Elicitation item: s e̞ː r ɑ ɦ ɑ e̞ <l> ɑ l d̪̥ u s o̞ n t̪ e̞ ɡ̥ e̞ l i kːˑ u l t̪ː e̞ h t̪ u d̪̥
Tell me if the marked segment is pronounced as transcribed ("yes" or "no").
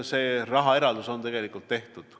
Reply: no